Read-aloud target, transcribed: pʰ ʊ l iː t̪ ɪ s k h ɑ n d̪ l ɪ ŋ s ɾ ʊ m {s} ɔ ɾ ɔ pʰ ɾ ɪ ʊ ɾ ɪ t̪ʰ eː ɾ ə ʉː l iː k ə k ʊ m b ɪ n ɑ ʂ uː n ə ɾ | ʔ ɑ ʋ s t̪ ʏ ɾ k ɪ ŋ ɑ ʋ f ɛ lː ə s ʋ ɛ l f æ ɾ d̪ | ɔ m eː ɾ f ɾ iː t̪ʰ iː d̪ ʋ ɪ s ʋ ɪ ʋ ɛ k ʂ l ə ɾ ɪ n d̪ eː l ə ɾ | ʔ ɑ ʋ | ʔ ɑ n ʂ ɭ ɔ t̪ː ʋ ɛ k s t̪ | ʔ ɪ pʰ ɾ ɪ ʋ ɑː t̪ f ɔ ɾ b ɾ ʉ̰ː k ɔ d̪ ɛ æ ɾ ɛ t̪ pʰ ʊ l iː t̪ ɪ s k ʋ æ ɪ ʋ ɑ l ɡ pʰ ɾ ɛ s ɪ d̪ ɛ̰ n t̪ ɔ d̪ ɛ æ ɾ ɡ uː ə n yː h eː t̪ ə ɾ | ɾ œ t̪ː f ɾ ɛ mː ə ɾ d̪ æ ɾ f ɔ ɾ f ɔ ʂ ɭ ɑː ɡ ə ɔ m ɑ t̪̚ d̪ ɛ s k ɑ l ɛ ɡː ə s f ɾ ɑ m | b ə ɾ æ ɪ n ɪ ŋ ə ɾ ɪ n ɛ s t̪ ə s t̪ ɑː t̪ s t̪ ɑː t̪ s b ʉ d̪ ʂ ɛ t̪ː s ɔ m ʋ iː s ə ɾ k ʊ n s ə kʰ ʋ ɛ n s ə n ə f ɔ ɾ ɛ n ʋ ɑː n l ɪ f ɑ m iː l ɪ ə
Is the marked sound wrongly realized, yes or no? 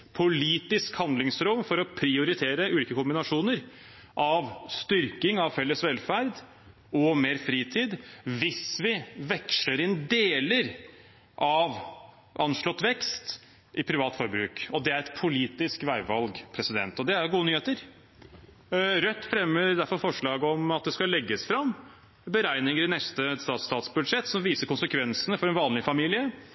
yes